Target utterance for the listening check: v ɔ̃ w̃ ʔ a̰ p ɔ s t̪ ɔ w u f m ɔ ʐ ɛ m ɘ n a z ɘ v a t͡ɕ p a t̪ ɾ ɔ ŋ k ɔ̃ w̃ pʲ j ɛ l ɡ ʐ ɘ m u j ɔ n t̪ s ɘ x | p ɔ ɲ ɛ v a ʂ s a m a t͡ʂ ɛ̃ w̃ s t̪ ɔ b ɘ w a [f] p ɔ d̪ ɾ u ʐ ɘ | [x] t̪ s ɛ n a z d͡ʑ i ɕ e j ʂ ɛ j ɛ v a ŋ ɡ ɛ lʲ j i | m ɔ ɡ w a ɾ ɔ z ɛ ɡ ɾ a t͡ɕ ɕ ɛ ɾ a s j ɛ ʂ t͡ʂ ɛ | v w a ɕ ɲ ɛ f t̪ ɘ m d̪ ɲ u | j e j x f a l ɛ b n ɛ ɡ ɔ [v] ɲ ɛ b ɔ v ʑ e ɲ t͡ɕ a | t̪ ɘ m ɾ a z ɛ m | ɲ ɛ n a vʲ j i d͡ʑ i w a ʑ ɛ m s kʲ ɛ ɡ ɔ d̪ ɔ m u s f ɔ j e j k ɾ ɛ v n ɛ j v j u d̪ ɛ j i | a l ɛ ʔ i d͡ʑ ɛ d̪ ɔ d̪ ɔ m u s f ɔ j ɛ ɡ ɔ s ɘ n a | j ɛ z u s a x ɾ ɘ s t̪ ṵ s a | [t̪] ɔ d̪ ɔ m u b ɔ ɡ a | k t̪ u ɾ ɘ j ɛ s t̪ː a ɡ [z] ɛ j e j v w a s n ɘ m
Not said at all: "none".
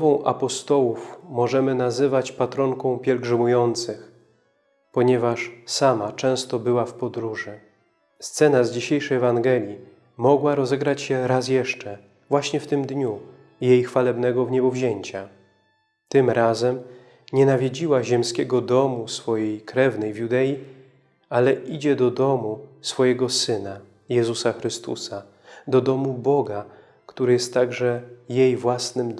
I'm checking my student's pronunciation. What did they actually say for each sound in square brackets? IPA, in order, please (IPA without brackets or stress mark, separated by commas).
f, s, v, d̪, ʐ